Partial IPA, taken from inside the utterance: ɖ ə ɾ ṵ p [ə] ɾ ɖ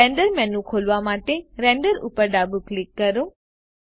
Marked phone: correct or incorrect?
correct